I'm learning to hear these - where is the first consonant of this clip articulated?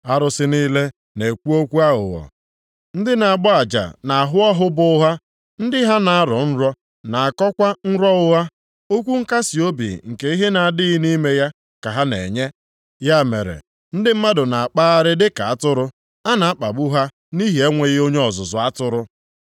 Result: tongue tip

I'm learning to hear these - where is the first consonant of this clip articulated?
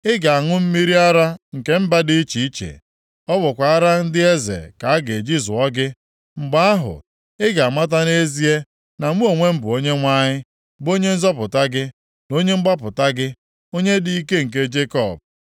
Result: velum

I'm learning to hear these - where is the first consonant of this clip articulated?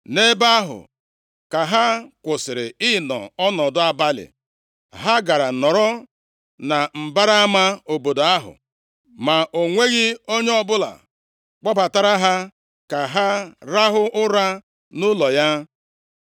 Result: tongue tip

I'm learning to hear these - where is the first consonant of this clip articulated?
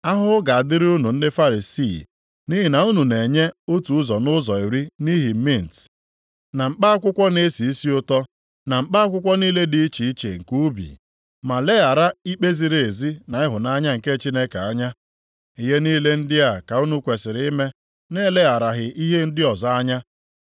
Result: throat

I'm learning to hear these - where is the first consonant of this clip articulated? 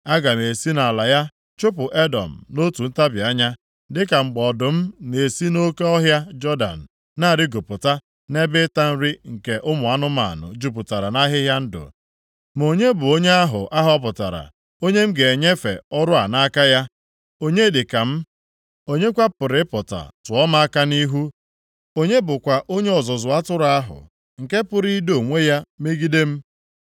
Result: velum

